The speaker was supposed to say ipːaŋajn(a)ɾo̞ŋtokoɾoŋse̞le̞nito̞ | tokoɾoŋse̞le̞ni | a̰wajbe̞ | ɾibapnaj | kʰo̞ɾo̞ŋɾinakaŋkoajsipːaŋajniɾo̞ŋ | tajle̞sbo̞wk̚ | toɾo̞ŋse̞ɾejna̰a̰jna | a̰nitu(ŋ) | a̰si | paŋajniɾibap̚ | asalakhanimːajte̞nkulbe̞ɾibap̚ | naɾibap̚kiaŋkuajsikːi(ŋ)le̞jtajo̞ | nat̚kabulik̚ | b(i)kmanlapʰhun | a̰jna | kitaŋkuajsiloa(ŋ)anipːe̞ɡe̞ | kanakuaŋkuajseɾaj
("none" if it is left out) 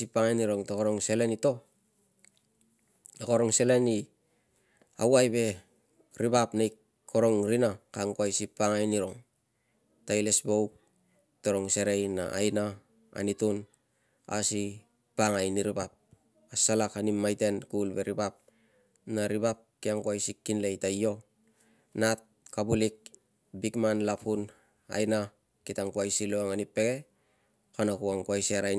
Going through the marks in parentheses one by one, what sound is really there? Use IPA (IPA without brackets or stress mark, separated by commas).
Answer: i, n, n, i, ŋ